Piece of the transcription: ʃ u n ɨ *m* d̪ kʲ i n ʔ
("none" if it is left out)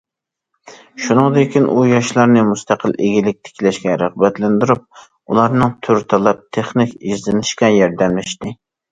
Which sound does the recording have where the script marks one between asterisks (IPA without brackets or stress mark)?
ŋ